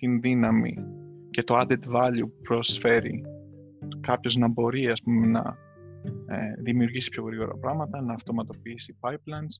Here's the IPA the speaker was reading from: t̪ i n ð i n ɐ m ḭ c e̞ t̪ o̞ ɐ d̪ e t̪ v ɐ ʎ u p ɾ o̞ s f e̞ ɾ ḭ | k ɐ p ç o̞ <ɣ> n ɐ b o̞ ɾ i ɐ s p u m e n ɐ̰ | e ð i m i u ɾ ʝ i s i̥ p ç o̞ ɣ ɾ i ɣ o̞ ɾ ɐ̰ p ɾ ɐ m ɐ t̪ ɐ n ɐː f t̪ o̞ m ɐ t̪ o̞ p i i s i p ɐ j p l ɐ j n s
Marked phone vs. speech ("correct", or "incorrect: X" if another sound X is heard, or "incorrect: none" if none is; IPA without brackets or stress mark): incorrect: z